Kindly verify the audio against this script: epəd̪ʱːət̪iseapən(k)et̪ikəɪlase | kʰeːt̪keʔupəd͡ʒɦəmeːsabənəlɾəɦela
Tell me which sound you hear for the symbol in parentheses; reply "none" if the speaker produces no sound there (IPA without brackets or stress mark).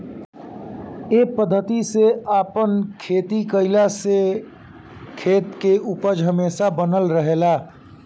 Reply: kʰ